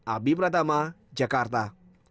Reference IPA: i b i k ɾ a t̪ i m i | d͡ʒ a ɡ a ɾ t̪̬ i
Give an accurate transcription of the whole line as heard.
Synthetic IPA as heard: a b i p ɾ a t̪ a m a | d͡ʒ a k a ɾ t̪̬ a